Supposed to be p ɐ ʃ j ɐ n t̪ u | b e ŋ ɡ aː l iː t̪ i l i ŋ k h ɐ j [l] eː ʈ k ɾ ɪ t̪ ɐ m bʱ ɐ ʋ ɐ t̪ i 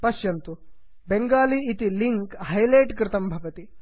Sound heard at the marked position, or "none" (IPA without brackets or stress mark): l